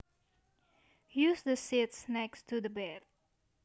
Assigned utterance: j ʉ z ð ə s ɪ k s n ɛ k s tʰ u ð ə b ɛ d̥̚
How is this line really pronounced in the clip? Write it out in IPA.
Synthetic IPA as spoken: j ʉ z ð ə s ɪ t s n ɛ k s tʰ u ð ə b ɛ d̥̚